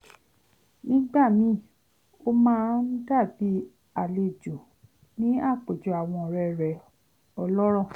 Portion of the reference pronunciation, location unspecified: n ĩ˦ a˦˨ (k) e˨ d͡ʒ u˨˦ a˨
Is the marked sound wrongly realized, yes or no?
yes